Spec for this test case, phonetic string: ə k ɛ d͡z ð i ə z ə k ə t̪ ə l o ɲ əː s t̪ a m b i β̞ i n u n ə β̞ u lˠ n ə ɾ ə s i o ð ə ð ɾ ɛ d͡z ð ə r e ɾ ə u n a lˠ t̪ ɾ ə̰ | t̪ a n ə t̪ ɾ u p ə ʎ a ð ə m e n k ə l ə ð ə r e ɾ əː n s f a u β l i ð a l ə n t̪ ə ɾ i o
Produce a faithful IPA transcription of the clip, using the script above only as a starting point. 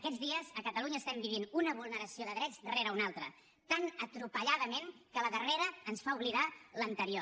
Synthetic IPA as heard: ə k ɛ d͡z ð i ə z ə k ə t̪ ə l u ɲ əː s t̪ ɛ m b i β̞ i n u n ə β̞ u lˠ n ə ɾ ə s i o ð ə ð ɾ ɛ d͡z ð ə r e ɾ ə u n a lˠ t̪ ɾ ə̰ | t̪ a n ə t̪ ɾ u p ə ʎ a ð ə m e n k ə l ə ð ə r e ɾ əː n s f a u β l i ð a l ə n t̪ ə ɾ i o